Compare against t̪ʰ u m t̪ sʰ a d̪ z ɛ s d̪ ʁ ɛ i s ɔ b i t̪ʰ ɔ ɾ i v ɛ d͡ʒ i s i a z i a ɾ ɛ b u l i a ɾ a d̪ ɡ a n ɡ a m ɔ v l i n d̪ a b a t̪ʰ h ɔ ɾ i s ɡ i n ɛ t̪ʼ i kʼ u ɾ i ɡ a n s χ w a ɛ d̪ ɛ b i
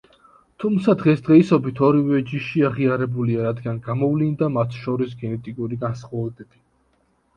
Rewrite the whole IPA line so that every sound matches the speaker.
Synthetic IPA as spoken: t̪ʰ u m t̪ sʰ a d̪ ʁ ɛ s d̪ ʁ ɛ i s ɔ b i t̪ʰ ɔ ɾ i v ɛ d͡ʒ i ʃ i a ʁ i a ɾ ɛ b u l i a ɾ a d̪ ɡ a n ɡ a m ɔ v l i n d̪ a m a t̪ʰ ʃ ɔ ɾ i s ɡ ɛ n ɛ t̪ʼ i kʼ u ɾ i ɡ a n s χ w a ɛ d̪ ɛ b i